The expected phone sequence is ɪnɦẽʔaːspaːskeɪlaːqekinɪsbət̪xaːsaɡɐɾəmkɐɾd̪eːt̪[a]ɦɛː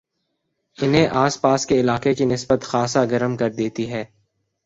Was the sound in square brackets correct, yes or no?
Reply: no